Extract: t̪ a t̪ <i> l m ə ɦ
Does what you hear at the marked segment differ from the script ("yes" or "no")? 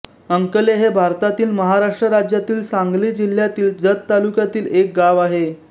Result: yes